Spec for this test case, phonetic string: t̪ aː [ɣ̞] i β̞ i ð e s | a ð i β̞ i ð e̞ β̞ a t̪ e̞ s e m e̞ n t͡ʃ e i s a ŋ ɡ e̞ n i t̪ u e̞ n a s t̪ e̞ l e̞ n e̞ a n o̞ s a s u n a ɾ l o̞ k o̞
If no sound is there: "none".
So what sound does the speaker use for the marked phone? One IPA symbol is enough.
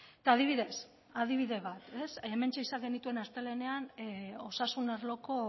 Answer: ð̞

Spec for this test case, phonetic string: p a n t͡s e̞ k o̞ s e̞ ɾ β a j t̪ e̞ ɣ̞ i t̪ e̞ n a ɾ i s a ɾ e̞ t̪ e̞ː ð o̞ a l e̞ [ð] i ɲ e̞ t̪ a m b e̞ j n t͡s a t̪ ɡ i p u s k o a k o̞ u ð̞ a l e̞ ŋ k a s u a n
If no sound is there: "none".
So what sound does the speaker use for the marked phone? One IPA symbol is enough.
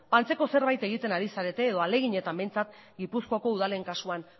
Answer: ɣ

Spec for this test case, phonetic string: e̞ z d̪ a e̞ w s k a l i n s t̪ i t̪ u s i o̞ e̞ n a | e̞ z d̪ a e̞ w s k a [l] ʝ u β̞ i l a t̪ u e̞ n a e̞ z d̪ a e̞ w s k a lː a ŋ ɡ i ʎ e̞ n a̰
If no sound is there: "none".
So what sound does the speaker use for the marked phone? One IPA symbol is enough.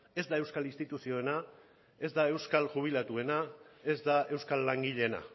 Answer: l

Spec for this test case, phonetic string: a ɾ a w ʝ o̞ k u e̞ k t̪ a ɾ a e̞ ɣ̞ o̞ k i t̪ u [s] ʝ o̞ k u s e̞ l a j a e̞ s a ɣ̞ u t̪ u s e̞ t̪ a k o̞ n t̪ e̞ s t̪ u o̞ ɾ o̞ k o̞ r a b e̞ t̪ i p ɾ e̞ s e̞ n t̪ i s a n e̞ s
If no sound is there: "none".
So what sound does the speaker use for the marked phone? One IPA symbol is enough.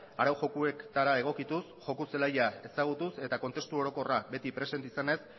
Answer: s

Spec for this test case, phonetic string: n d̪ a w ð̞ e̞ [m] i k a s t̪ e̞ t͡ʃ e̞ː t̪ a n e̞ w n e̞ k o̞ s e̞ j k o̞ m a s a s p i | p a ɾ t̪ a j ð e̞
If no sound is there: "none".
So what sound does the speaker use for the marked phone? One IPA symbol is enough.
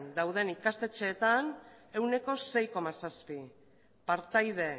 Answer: n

